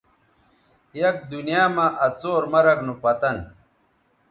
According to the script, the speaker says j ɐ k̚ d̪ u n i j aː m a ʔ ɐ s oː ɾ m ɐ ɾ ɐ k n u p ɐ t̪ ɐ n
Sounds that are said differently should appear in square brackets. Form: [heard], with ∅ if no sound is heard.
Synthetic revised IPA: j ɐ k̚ d̪ u n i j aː m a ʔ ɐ [t͡s] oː ɾ m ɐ ɾ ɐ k n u p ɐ t̪ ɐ n